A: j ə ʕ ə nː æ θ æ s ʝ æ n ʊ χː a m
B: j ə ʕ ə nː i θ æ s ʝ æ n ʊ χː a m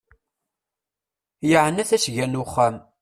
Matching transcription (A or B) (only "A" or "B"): A